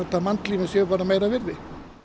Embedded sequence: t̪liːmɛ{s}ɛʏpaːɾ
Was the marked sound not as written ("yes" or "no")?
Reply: no